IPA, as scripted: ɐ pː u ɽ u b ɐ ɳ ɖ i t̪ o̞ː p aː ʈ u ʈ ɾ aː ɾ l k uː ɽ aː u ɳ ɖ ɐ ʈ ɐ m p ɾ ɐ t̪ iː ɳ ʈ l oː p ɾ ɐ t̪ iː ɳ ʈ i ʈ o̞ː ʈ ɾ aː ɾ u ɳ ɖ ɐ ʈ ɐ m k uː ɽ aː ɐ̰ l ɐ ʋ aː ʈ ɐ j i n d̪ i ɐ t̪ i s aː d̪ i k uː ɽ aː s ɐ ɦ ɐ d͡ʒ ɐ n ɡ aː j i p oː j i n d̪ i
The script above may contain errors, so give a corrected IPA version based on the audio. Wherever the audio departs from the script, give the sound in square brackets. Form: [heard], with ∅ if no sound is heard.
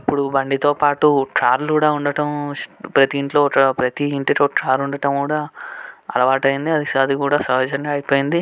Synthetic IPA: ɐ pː u ɽ u b ɐ ɳ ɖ i t̪ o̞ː p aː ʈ u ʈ ɾ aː ɾ l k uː ɽ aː u ɳ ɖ ɐ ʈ ɐ m p ɾ ɐ t̪ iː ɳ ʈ l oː p ɾ ɐ t̪ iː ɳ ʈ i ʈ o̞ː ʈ ɾ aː ɾ u ɳ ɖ ɐ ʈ ɐ m k uː ɽ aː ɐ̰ l ɐ ʋ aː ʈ ɐ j i n d̪ i ɐ [d̪] i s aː d̪ i k uː ɽ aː s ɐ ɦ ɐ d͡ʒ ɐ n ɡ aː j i p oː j i n d̪ i